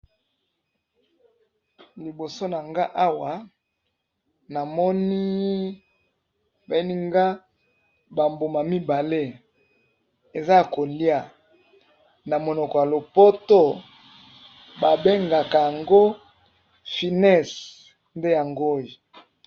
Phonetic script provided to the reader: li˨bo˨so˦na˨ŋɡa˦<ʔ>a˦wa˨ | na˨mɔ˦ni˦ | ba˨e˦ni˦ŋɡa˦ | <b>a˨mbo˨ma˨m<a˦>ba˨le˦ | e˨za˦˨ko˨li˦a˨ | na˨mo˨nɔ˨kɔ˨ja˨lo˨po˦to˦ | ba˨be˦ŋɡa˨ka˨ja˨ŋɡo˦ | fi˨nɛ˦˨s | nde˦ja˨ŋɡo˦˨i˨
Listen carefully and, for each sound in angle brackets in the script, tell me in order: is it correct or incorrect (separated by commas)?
correct, correct, incorrect